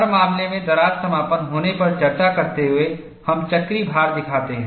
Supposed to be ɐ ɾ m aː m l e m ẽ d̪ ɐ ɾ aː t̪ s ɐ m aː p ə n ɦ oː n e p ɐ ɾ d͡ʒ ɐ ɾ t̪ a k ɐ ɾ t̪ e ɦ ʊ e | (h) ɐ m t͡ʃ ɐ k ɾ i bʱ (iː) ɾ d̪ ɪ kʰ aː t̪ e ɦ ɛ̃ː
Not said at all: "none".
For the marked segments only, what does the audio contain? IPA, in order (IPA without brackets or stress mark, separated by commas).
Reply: h, aː